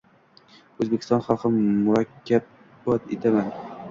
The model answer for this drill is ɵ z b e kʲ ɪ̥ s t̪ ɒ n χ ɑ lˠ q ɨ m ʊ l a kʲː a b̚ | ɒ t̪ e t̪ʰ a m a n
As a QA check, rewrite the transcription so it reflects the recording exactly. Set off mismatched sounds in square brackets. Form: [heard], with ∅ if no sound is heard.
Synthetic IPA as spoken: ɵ z b e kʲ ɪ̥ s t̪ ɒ n χ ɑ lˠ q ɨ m ʊ [ɾ] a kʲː a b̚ | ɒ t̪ e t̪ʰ a m a n